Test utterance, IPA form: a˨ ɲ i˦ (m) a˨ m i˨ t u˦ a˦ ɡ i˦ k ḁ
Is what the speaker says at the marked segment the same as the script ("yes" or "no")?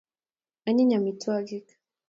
no